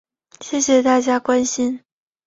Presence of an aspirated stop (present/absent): absent